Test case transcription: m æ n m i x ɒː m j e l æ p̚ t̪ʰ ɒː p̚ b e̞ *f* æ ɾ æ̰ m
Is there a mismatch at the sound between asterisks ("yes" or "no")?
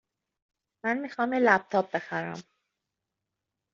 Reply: yes